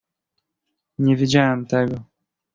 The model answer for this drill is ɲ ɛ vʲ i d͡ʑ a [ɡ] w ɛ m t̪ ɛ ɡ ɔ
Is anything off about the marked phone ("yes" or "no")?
yes